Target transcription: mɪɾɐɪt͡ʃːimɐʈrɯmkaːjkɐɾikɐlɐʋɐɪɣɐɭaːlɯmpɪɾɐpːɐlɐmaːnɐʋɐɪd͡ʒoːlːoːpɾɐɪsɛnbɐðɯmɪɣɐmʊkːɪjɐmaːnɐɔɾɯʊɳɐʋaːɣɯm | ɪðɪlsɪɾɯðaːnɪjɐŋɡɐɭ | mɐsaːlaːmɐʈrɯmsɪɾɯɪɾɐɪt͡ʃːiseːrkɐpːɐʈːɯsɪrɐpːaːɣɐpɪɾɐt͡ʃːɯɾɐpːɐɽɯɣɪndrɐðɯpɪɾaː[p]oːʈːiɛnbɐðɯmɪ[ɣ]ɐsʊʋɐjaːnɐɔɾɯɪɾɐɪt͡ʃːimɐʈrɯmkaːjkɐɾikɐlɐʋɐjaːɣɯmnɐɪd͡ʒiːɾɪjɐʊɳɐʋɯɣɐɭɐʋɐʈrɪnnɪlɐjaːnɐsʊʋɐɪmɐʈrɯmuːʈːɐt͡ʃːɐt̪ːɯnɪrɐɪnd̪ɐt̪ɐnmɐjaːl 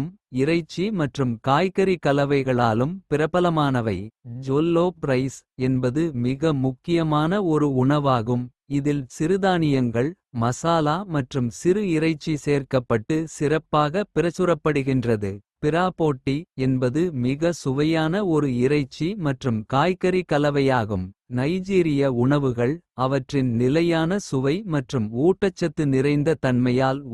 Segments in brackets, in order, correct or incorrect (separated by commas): correct, correct